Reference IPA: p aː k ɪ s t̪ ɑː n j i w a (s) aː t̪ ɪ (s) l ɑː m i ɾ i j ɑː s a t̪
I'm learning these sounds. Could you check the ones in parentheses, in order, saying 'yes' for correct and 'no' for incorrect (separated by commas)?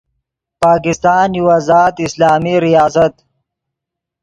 no, yes